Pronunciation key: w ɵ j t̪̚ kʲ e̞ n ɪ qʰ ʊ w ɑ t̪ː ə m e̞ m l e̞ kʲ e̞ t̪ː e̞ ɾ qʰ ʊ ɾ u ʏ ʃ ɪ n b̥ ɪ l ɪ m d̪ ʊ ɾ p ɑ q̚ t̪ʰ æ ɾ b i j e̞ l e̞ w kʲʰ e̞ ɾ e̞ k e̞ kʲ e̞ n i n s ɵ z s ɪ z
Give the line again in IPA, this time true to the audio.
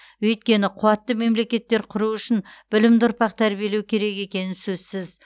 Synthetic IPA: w ɵ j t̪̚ kʲ e̞ n ɪ qʰ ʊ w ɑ t̪ː ə m e̞ m l e̞ kʲ e̞ t̪ː e̞ ɾ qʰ ʊ ɾ u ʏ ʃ ɪ n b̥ ɪ l ɪ m d̪ ʊ ɾ p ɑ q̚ t̪ʰ æ ɾ b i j e̞ l e̞ w kʲʰ e̞ ɾ e̞ k e̞ kʲ e̞ n ɪ n s ɵ z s ɪ z

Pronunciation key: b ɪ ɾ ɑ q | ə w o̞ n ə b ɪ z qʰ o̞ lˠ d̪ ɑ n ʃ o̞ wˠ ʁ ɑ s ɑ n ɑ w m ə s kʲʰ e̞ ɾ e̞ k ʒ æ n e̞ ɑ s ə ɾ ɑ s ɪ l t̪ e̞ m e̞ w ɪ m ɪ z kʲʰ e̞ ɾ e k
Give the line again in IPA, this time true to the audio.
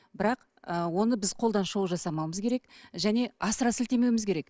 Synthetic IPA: b ɪ ɾ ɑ q | ə w o̞ n ə b ɪ z qʰ o̞ lˠ d̪ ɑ n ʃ o̞ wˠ ʒ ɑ s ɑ m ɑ w m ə z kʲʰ e̞ ɾ e̞ k ʒ æ n e̞ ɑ s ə ɾ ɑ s ɪ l t̪ e̞ m e̞ w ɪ m ɪ z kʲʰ e̞ ɾ e k

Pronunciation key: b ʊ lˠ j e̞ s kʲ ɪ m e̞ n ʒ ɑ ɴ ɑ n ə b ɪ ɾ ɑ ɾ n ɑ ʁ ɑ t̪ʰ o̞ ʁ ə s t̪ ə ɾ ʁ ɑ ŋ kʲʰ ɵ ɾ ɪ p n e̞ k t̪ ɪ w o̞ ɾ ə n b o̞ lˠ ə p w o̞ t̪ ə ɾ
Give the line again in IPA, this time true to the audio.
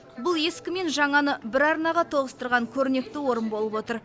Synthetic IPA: b ʊ lˠ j e̞ s kʲ ɪ m e̞ n ʒ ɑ ɴ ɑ n ə b ɪ ɾ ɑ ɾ n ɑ ʁ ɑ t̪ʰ o̞ ʁ ə s t̪ ə ɾ ʁ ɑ ŋ kʲʰ ɵ ɾ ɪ n e̞ k t̪ ɪ w o̞ ɾ ə n b o̞ lˠ ə p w o̞ t̪ ə ɾ

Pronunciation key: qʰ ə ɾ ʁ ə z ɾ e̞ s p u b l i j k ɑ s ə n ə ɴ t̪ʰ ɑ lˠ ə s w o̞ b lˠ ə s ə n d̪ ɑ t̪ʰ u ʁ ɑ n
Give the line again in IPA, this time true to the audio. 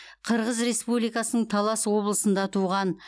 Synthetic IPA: qʰ ə ɾ ʁ ə z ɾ e̞ s p u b l i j k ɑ s ə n ə ɴ t̪ʰ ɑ lˠ ɑ s w o̞ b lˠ ə s ə n d̪ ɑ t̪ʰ u ʁ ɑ n

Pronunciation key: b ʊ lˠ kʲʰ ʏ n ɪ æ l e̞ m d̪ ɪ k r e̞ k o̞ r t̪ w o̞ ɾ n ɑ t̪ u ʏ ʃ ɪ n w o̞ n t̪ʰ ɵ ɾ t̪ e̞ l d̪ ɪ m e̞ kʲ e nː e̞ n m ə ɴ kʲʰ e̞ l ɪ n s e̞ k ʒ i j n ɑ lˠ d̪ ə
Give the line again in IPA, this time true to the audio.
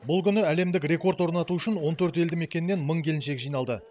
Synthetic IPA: b ʊ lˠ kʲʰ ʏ n ɪ æ l e̞ m d̪ ɪ k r e̞ k o̞ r t̪ w o̞ ɾ n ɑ t̪ u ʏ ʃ ɪ n w o̞ n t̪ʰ ɵ ɾ t̪ e̞ l d̪ ɪ m e̞ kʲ e nː e̞ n m ə ɴ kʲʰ e̞ l ɪ n ʃ e̞ k ʒ i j n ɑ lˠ d̪ ə

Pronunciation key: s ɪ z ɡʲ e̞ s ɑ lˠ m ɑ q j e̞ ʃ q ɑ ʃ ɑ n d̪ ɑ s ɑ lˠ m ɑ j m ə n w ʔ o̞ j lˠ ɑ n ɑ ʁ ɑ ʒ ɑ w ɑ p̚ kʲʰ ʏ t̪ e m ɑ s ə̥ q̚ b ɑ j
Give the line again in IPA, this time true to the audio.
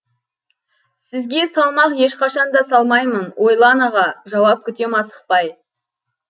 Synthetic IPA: s ɪ z ɡʲ e̞ s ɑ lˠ m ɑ q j e̞ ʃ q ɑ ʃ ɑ n d̪ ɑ s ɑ lˠ m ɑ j m ə n w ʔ o̞ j lˠ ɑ n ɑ ʁ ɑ ʒ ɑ w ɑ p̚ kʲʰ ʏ t̪ e m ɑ s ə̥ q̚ p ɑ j

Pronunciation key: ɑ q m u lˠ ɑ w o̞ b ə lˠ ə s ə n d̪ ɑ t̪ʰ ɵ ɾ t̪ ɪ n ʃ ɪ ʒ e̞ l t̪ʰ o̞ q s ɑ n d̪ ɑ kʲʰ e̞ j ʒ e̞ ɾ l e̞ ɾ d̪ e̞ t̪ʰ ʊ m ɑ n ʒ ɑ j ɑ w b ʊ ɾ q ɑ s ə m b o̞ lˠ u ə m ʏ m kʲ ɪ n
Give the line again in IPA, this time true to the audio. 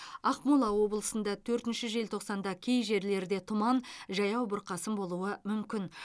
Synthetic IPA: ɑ q m u lˠ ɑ w o̞ b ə lˠ ə s ə n d̪ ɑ t̪ʰ ɵ ɾ t̪ ɪ n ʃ ɪ ʒ e̞ l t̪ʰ o̞ q s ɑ n d̪ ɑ kʲʰ e̞ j ʒ e̞ ɾ l e̞ ɾ d̪ e̞ t̪ʰ ʊ m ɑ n ʒ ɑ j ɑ w b ʊ ɾ q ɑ s ə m b o̞ lˠ u ə m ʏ m kʲ ɪ n

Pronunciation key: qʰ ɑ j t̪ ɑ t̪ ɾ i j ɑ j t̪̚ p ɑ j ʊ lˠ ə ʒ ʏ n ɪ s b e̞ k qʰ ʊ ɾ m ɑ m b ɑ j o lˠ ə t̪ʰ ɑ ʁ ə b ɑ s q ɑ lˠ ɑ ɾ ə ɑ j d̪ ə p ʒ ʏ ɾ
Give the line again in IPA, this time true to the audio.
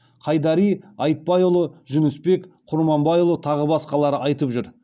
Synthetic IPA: qʰ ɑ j d̪ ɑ ɾ i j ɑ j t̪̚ p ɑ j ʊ lˠ ə ʒ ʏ n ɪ s p e̞ k qʰ ʊ ɾ m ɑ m b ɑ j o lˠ ə t̪ʰ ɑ ʁ ə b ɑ s q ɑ lˠ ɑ ɾ ə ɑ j t̪ ə p ʒ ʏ ɾ

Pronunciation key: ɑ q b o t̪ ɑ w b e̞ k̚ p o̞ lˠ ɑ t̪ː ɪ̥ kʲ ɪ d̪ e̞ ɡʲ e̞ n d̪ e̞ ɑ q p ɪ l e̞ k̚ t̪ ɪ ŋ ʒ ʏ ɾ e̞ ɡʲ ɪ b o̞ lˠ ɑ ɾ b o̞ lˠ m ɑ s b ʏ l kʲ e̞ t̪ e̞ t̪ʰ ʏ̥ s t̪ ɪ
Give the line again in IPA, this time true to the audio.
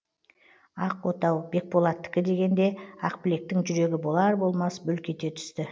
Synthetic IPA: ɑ q w o t̪ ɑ w b e̞ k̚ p o̞ lˠ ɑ t̪ː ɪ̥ kʲ ɪ d̪ e̞ ɡʲ e̞ n d̪ e̞ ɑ q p ɪ l e̞ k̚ t̪ ɪ ŋ ʒ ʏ ɾ e̞ ɡʲ ɪ b o̞ lˠ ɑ ɾ b o̞ lˠ m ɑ s b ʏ l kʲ e̞ t̪ e̞ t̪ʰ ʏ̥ s t̪ ɪ

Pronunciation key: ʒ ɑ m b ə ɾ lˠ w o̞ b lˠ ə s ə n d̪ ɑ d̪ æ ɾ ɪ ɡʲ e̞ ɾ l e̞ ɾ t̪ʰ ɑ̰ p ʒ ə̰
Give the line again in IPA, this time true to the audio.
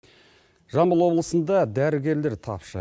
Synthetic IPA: ʒ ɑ m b ə lˠ w o̞ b lˠ ə s ə n d̪ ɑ d̪ æ ɾ ɪ ɡʲ e̞ ɾ l e̞ ɾ t̪ʰ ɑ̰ p ʃ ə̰

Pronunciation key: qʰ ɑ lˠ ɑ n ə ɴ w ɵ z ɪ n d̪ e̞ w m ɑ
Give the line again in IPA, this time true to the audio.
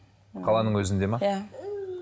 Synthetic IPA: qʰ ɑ lˠ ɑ n ə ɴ w ɵ z ɪ n d̪ e̞ m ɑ

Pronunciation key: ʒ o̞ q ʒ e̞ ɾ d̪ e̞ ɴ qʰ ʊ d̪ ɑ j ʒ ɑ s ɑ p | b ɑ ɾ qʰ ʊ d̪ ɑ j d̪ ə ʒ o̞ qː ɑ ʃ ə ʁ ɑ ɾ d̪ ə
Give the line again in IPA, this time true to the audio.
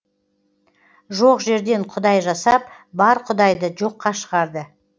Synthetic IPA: ʒ o̞ q ʒ e̞ ɾ d̪ e̞ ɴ qʰ ʊ d̪ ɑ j ʒ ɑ s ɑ p | b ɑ ɾ qʰ ʊ d̪ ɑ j d̪ ə ʒ o̞ qː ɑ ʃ ə ʁ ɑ ɾ d̪ ə

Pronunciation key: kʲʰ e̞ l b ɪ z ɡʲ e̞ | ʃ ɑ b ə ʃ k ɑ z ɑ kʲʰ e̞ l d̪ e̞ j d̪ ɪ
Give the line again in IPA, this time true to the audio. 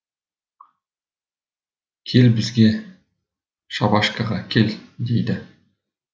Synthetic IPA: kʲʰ e̞ l b ɪ z ɡʲ e̞ | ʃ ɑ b ɑ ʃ k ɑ ʁ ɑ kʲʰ e̞ l d̪ e̞ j d̪ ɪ

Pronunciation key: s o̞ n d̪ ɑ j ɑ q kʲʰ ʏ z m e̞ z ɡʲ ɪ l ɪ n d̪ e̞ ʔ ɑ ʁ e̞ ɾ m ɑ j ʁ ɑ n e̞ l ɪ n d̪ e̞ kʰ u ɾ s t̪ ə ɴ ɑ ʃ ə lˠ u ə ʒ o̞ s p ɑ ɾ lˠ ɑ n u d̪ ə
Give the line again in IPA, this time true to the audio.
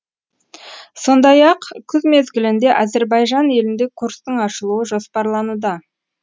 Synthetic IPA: s o̞ n d̪ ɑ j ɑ q kʲʰ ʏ z m e̞ z ɡʲ ɪ l ɪ n d̪ e̞ ʔ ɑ z e̞ ɾ b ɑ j ʒ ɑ n e̞ l ɪ n d̪ e̞ kʰ u ɾ s t̪ ə ɴ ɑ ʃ ə lˠ u ə ʒ o̞ s p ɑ ɾ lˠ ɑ n u d̪ ə

